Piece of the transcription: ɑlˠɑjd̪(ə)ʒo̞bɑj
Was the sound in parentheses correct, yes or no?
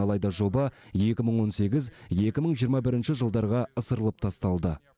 no